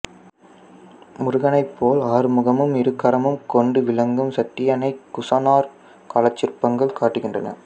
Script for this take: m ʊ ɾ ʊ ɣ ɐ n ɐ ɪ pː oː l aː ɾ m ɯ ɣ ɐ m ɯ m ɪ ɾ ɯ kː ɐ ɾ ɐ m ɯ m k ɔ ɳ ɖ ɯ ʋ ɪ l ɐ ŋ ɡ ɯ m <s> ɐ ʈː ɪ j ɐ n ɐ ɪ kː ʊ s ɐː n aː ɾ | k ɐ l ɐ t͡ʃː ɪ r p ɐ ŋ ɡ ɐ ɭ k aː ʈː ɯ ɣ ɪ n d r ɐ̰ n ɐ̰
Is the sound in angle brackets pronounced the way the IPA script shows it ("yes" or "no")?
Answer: yes